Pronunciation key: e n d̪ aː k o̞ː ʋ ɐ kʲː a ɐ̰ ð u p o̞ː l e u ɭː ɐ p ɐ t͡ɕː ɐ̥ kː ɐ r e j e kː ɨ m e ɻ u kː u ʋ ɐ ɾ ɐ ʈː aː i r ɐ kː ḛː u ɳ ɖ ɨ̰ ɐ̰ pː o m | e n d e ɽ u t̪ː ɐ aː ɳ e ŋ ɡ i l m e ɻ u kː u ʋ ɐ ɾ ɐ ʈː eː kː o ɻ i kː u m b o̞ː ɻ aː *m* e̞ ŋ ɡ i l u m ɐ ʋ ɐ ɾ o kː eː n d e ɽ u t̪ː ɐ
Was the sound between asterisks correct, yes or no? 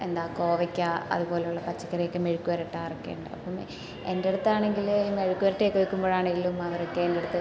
no